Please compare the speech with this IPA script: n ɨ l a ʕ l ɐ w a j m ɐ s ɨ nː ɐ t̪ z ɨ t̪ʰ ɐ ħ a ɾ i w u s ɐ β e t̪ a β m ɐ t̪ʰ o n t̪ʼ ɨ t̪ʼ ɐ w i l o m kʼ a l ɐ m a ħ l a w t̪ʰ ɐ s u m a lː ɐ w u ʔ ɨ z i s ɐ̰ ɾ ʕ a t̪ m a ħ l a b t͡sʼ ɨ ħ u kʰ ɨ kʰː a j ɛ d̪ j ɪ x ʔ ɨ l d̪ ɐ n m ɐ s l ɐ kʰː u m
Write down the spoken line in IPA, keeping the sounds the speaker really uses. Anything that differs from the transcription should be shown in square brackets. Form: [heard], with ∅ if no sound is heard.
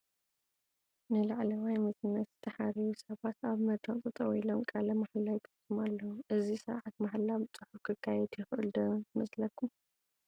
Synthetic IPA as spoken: n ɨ l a ʕ l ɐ w a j m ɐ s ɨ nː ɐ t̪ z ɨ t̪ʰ ɐ ħ a ɾ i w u s ɐ β [a] t̪ a β m ɐ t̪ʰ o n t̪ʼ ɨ t̪ʼ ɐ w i l o m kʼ a l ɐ m a ħ l a w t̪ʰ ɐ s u m a lː ɐ w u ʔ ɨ z i s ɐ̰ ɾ ʕ a t̪ m a ħ l a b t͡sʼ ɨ ħ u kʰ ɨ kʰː a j ɛ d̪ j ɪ x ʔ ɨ l d̪ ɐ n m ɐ s l ɐ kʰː u m